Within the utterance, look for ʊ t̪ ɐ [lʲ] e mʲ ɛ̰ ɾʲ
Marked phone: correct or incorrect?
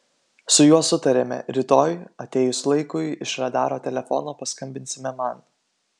incorrect: ɾʲ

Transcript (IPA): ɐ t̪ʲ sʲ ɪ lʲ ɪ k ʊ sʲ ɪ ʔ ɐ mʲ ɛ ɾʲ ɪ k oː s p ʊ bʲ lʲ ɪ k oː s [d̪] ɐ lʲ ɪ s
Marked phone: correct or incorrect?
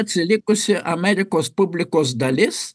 correct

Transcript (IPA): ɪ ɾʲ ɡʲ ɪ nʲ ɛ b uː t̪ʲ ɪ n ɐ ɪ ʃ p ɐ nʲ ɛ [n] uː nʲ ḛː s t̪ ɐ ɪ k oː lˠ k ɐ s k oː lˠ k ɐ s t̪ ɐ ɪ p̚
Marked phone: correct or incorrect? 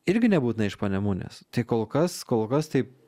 incorrect: m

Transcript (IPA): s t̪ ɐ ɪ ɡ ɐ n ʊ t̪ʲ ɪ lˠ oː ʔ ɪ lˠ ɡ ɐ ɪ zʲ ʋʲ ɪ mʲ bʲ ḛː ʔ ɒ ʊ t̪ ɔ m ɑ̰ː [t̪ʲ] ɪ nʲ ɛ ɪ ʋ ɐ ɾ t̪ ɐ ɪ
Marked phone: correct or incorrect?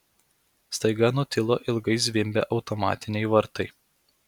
correct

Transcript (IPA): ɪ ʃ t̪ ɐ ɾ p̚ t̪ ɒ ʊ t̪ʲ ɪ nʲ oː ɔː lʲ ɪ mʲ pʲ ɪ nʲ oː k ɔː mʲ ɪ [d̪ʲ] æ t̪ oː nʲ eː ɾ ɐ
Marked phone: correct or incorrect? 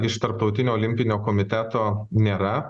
incorrect: t̪ʲ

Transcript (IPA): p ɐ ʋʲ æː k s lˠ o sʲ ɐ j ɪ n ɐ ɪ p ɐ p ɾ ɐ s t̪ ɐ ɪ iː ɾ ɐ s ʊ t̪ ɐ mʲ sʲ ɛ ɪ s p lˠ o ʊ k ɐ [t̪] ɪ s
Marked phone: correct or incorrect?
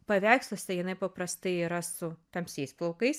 incorrect: none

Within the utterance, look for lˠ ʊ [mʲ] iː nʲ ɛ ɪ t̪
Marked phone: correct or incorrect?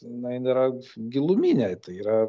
correct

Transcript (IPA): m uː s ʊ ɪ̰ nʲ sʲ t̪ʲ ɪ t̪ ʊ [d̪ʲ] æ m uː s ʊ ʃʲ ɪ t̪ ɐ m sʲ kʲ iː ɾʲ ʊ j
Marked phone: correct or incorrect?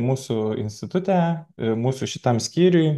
incorrect: t̪ʲ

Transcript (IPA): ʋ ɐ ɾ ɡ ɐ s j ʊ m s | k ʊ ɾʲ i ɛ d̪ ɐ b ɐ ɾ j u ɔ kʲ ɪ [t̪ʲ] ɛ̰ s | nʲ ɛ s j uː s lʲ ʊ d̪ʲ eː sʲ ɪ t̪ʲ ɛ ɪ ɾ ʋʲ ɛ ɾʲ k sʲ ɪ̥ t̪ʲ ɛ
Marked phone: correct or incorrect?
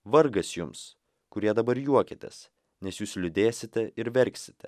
correct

